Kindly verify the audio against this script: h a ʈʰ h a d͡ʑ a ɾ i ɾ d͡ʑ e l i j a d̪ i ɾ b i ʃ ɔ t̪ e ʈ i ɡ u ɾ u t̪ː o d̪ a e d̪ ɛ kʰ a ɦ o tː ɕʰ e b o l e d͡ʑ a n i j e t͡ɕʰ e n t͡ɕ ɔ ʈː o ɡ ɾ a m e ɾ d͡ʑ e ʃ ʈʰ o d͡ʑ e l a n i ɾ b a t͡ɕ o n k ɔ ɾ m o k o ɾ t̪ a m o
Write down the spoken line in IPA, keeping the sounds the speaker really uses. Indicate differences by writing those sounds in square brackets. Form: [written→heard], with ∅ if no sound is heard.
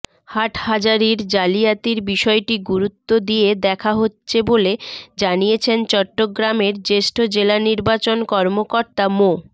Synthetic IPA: h a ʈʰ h a d͡ʑ a ɾ i ɾ d͡ʑ [e→a] l i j a [d̪→t̪] i ɾ b i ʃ ɔ [t̪→∅] e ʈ i ɡ u ɾ u t̪ː o d̪ [a→i] e d̪ ɛ kʰ a ɦ o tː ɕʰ e b o l e d͡ʑ a n i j e t͡ɕʰ e n t͡ɕ ɔ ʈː o ɡ ɾ a m e ɾ d͡ʑ e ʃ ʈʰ o d͡ʑ e l a n i ɾ b a t͡ɕ o n k ɔ ɾ m o k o ɾ t̪ a m o